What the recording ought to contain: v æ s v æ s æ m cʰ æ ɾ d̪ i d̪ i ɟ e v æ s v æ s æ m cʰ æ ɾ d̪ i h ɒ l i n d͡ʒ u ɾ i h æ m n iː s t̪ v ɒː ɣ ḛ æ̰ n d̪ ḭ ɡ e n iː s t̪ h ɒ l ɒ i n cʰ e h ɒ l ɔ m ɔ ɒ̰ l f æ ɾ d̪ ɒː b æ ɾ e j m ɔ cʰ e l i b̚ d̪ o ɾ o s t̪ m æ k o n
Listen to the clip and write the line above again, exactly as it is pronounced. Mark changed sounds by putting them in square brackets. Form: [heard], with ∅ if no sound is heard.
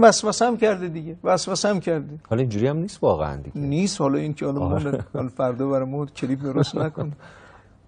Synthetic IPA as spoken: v æ s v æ s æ m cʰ æ ɾ d̪ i d̪ i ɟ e v æ s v æ s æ m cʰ æ ɾ d̪ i h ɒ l i n d͡ʒ u ɾ i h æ m n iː s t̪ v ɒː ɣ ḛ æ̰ n d̪ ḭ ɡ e n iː s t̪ h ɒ l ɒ i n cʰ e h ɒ l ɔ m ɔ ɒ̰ l f æ ɾ d̪ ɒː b æ ɾ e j m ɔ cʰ e l i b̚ d̪ o ɾ o s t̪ [n] æ k o n